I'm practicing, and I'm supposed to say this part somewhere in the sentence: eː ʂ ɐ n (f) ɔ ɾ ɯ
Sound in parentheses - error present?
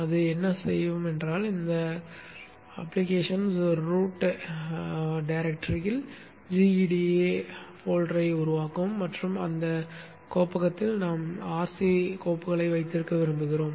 yes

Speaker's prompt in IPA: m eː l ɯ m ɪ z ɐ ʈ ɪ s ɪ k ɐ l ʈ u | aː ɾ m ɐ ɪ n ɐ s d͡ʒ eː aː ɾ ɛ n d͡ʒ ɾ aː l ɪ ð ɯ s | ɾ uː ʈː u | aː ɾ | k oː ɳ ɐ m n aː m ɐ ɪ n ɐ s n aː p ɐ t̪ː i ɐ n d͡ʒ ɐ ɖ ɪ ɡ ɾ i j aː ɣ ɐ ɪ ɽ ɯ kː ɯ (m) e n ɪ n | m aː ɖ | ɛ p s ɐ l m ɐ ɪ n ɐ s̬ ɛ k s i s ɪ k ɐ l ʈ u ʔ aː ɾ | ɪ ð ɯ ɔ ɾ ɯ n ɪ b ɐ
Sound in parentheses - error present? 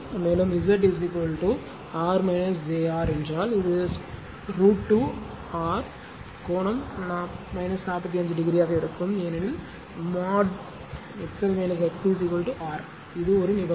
no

